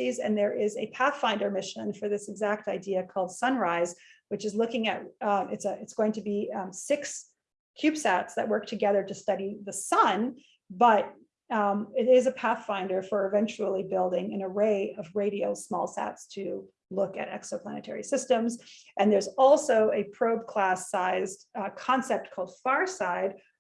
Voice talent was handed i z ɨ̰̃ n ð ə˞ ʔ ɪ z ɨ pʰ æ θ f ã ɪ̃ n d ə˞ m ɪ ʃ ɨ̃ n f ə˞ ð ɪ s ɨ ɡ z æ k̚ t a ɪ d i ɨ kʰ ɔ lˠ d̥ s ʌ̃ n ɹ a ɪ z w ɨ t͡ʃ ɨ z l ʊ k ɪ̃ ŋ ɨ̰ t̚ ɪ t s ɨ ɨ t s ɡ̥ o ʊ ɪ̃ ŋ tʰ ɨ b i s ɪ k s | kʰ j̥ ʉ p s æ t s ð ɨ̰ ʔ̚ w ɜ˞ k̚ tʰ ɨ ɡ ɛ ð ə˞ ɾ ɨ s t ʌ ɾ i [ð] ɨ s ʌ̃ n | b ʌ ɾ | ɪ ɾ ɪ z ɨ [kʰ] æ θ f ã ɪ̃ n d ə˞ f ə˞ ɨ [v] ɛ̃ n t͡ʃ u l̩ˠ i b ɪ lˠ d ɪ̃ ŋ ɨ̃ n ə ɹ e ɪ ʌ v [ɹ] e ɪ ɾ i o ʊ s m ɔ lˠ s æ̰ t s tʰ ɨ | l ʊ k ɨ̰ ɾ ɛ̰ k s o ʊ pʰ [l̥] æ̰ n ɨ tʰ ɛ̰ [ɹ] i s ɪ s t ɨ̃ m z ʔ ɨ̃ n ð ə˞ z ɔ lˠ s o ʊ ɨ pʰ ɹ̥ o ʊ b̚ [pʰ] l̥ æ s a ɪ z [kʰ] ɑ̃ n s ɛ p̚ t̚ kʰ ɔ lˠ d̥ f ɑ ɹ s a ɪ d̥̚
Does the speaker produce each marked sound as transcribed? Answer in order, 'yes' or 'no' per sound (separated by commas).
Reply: yes, no, yes, yes, yes, yes, no, yes